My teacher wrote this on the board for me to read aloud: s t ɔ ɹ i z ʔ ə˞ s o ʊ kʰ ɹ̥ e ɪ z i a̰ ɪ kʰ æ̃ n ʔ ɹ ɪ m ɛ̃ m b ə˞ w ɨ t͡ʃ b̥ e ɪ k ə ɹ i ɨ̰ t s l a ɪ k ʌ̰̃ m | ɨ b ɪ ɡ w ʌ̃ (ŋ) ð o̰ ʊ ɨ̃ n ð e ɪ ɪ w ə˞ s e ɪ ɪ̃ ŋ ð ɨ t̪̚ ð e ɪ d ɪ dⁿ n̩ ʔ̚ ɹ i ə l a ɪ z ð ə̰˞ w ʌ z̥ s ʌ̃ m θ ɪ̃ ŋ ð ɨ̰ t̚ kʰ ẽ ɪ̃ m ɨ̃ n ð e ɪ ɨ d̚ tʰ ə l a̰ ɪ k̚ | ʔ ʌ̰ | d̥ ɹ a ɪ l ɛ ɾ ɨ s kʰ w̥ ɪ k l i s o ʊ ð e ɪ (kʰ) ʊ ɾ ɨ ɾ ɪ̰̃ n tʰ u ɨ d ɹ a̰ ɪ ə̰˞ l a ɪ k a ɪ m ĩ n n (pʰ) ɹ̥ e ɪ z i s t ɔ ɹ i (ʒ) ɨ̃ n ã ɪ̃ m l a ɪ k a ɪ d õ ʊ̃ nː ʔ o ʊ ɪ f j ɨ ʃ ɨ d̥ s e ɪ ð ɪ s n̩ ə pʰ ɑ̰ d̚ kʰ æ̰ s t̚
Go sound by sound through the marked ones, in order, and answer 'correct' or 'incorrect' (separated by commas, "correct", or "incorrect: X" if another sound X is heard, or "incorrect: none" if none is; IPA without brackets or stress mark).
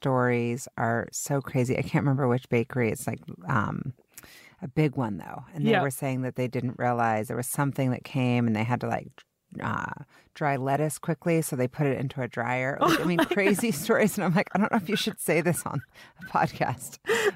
incorrect: n, incorrect: pʰ, incorrect: kʰ, incorrect: z